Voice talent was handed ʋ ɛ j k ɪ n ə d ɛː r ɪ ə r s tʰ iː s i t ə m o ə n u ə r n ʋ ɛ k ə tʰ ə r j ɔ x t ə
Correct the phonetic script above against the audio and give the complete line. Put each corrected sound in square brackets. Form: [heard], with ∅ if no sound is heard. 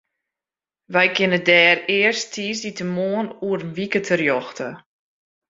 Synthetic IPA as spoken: ʋ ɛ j k ɪ n ə d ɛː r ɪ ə r s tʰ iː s i t ə m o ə n u ə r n ʋ [i] k ə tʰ ə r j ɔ x t ə